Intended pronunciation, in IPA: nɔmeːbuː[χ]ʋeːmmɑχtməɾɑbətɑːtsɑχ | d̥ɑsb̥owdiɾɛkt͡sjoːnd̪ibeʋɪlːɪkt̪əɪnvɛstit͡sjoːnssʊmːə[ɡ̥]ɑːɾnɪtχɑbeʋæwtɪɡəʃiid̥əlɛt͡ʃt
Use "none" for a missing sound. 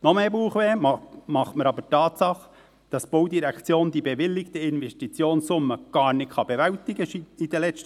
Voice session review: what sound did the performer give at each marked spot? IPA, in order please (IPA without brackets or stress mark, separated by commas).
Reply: χ, ɡ̥